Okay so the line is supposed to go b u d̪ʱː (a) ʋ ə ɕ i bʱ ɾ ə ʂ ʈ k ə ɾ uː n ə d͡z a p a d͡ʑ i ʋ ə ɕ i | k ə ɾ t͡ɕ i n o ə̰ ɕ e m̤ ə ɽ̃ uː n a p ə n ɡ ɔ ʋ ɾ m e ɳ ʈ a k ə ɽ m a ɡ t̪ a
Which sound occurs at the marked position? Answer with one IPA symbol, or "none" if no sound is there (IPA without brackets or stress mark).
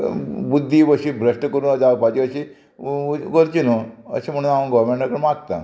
i